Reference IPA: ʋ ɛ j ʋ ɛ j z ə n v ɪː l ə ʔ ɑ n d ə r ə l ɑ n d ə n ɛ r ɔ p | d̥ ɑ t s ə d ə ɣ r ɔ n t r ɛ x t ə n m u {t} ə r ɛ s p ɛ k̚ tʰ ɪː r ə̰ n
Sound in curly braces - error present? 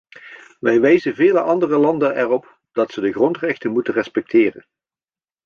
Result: no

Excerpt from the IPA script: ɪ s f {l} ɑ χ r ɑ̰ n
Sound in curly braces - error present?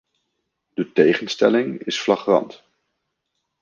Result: no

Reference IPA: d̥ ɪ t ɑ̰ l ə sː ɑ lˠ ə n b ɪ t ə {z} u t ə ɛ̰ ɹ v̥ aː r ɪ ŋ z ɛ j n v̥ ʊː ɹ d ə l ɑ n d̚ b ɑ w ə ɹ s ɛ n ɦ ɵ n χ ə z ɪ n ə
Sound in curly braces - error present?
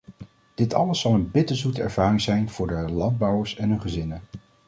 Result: no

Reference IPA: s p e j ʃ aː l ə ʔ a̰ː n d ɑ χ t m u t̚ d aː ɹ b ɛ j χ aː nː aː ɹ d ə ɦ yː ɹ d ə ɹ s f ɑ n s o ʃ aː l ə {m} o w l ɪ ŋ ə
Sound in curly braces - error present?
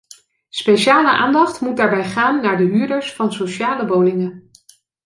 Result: yes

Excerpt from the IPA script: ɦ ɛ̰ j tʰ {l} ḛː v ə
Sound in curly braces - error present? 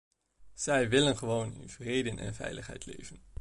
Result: no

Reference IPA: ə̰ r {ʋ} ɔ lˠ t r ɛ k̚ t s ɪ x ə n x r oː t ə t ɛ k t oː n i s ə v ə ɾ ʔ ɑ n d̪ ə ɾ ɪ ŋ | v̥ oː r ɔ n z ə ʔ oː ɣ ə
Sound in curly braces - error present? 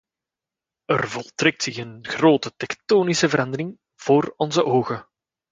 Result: yes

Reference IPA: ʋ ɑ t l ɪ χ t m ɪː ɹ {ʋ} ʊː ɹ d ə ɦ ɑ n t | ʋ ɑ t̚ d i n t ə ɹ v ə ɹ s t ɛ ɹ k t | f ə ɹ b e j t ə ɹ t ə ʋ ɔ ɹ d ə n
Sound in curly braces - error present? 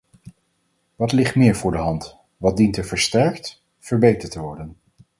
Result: yes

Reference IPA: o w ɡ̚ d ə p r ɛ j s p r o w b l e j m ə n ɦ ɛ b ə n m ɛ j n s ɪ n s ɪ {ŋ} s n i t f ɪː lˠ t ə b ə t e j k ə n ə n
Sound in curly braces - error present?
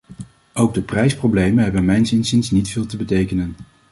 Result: yes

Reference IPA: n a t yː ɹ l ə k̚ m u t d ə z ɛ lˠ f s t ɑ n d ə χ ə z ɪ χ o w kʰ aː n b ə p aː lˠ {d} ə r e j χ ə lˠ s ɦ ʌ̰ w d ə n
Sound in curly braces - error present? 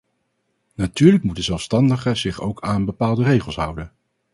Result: no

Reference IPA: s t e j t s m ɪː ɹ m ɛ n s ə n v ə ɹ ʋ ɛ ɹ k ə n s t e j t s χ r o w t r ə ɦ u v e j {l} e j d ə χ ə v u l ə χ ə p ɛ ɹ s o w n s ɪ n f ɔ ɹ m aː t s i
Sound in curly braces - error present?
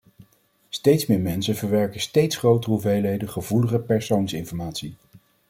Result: no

